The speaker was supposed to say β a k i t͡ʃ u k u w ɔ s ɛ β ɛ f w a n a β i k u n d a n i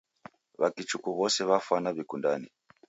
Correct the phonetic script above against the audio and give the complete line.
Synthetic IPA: β a k i t͡ʃ u k u β ɔ s ɛ β a f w a n a β i k u n d a n i